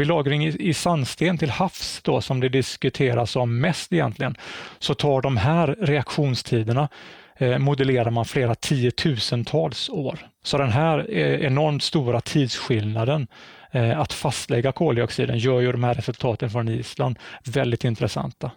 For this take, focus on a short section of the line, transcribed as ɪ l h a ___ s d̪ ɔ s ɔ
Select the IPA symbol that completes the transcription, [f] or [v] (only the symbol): f